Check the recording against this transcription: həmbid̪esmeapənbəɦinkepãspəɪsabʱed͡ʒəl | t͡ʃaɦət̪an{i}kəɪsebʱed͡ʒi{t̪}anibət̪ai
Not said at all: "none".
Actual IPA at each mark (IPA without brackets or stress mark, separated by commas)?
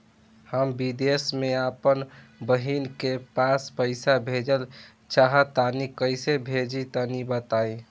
i, t̪